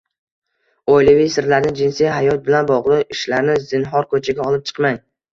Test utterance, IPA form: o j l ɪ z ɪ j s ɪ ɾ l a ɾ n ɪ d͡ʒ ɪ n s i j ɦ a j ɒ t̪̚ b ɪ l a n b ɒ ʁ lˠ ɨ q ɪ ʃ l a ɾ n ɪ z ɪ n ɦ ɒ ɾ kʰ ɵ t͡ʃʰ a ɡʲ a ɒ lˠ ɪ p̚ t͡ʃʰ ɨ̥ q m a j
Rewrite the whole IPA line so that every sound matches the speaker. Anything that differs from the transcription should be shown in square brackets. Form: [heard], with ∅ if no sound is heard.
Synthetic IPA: o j l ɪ [v] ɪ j s ɪ ɾ l a ɾ n ɪ d͡ʒ ɪ n s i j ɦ a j ɒ t̪̚ b ɪ l a n b ɒ ʁ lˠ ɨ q ɪ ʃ l a ɾ n ɪ z ɪ n ɦ ɒ ɾ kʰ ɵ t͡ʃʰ a ɡʲ a ɒ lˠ ɪ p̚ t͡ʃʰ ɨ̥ q m a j